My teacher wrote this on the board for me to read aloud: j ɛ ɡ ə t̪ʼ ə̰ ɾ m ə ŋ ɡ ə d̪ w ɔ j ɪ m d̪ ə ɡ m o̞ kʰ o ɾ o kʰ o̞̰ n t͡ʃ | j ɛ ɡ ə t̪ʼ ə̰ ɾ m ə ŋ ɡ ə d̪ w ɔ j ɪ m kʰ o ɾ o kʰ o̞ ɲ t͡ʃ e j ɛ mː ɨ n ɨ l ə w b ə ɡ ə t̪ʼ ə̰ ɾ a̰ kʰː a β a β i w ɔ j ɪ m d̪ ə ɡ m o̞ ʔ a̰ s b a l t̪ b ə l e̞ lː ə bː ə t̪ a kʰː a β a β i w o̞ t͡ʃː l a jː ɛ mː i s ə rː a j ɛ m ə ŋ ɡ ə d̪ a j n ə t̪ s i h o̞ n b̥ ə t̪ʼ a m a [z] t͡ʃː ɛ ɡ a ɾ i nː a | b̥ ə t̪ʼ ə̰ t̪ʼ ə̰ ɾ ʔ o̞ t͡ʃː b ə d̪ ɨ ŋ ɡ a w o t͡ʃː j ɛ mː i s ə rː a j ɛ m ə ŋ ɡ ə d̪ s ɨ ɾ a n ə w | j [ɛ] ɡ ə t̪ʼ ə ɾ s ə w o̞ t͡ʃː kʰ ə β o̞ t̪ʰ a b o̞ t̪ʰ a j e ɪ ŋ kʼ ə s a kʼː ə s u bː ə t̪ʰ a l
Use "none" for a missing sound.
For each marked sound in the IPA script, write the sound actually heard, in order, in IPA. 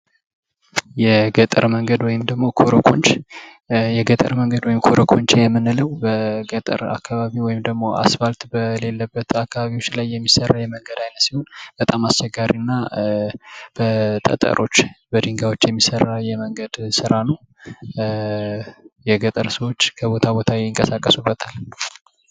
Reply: s, ɛ

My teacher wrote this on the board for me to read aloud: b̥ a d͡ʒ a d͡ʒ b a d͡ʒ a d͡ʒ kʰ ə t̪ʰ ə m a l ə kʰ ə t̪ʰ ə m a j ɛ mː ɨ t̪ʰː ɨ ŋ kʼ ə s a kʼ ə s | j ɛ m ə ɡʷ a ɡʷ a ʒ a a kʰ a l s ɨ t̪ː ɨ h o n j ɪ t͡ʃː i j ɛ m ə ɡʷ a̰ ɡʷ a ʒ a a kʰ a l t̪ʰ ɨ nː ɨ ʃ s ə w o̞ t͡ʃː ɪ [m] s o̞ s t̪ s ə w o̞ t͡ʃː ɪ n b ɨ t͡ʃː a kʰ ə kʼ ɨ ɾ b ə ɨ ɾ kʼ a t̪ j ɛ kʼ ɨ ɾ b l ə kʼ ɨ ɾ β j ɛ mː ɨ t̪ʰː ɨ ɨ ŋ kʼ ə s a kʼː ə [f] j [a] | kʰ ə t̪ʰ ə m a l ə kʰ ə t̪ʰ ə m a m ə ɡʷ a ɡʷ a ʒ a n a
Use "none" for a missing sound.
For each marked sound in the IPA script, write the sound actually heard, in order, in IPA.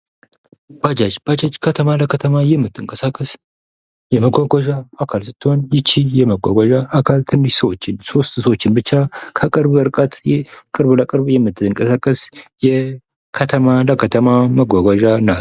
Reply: n, s, ɛ

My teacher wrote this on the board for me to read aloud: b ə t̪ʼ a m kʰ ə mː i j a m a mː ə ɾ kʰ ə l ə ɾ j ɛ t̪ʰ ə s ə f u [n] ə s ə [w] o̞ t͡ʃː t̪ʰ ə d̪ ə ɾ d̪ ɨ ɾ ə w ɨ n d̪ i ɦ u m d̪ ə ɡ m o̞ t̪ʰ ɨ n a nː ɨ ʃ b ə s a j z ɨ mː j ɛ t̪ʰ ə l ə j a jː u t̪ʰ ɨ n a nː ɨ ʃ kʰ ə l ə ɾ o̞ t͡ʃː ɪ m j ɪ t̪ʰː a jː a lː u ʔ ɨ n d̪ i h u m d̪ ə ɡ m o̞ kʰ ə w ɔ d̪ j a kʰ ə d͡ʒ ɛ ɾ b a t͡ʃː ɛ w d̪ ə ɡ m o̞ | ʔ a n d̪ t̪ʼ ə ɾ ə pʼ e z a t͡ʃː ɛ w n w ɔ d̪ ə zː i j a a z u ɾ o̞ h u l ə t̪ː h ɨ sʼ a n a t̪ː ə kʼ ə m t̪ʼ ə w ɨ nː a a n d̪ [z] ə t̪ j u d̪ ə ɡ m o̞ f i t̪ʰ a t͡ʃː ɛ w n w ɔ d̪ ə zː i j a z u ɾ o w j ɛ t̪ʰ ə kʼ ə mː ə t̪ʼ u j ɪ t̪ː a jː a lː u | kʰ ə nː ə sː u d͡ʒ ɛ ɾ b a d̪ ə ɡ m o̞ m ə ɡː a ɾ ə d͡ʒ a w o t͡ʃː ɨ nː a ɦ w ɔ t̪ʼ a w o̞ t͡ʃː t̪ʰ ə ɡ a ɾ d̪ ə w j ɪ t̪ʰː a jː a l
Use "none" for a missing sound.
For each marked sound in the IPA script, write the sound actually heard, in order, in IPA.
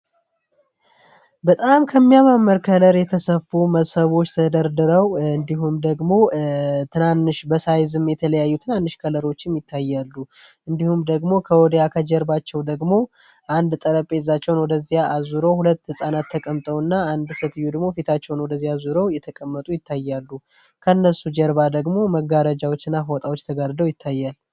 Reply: m, β, s

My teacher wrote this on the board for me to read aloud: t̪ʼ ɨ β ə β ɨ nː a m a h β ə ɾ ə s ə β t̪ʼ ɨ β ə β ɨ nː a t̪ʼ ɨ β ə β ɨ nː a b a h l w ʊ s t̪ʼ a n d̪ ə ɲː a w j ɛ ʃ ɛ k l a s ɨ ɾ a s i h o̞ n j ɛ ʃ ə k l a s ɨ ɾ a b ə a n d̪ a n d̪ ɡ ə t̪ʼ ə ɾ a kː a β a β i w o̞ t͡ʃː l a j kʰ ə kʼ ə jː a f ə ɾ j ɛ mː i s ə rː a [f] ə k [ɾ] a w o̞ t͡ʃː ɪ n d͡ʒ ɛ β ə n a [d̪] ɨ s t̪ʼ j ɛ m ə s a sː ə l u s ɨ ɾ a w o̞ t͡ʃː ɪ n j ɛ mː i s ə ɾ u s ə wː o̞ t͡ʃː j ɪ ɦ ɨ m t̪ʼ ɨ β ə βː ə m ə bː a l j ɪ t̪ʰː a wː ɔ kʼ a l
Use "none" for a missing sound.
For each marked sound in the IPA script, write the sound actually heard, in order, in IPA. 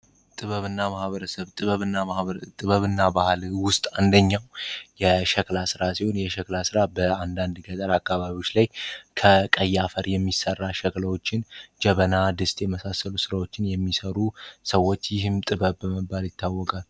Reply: ʃ, l, d̪

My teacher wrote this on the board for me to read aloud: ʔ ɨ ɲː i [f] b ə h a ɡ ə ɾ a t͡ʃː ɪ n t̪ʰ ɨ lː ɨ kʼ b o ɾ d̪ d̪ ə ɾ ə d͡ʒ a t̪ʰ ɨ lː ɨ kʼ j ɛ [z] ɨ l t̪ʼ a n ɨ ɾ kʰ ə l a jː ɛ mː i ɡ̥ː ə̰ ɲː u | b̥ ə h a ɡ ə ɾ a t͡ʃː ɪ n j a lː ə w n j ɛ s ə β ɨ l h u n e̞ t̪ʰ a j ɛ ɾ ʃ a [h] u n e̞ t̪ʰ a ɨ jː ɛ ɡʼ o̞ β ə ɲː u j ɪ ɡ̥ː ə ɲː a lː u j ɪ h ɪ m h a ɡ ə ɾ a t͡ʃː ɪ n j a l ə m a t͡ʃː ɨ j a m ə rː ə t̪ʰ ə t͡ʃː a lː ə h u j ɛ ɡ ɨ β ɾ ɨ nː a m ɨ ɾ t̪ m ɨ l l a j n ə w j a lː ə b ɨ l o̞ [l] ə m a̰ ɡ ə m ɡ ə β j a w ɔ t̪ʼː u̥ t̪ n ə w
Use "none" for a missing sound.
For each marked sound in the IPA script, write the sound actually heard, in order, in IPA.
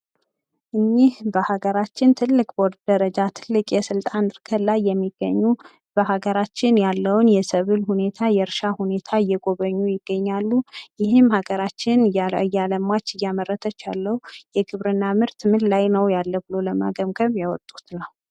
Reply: h, s, h, l

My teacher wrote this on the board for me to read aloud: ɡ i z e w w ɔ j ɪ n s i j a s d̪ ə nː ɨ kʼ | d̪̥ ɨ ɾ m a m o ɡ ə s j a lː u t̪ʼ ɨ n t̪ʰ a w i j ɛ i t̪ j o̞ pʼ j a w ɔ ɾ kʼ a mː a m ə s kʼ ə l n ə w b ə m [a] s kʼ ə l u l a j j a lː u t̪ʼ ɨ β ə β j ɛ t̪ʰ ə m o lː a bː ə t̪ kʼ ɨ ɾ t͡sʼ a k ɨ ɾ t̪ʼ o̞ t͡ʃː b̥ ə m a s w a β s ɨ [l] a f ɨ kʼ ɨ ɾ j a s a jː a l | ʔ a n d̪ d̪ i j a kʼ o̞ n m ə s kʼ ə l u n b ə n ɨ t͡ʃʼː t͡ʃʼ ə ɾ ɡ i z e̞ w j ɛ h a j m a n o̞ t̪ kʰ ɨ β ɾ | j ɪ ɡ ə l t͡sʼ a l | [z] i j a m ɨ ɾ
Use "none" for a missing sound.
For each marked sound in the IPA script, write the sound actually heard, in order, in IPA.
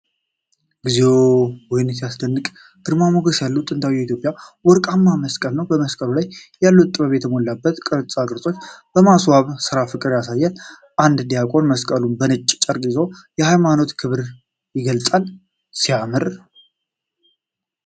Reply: ə, ɾ, s

